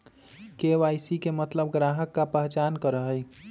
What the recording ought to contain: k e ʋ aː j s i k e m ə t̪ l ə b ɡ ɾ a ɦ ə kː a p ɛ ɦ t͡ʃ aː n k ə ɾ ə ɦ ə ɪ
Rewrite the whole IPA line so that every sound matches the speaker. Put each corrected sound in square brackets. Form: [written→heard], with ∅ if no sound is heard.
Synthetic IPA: k e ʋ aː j s i k e m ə t̪ l ə b ɡ ɾ a ɦ ə kː a p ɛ ɦ t͡ʃ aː n k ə ɾ ə ɦ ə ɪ